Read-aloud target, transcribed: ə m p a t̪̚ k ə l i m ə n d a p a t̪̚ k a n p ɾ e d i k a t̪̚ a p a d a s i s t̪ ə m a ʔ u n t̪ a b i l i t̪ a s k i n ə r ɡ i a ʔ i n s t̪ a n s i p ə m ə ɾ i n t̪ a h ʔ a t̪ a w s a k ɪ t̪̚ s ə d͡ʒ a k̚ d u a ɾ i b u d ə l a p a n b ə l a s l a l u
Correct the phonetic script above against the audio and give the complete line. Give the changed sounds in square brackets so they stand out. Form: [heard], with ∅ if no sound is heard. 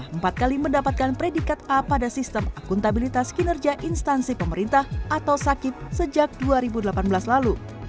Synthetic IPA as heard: ə m p a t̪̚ k [a] l i m ə n d a p a t̪̚ k a n p ɾ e d i k a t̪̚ a p a d a s i s t̪ ə m a [k] u n t̪ a b i l i t̪ a s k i n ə r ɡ i a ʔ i n s t̪ a n s i p ə m ə ɾ i n t̪ a h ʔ a t̪ a w s a k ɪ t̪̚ s ə d͡ʒ a k̚ d u a ɾ i b u d ə l a p a n b ə l a s l a l u